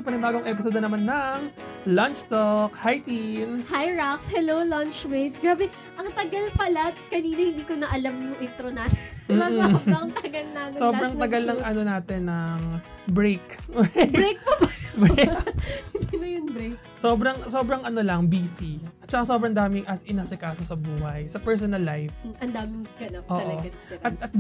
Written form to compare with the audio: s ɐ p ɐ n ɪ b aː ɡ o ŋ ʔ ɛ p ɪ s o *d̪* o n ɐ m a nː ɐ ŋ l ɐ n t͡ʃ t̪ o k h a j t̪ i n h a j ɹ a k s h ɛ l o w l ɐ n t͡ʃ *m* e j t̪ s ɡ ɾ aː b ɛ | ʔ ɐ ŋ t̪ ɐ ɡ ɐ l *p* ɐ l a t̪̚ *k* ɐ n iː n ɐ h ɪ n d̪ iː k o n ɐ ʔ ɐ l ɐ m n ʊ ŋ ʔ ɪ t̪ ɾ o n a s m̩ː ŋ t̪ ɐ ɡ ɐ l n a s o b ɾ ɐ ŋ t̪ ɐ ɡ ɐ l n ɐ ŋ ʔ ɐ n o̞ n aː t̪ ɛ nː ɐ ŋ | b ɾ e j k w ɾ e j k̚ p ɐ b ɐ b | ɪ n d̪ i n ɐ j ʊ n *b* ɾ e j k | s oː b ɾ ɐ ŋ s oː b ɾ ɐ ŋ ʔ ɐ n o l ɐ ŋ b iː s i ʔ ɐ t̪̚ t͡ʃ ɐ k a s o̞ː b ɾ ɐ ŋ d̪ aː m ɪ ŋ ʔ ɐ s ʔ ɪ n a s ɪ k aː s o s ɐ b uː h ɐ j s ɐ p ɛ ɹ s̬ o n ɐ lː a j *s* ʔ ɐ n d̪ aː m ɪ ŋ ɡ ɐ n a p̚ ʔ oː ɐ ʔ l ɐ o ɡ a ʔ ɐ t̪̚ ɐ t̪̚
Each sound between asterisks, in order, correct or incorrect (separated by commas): correct, correct, correct, correct, correct, incorrect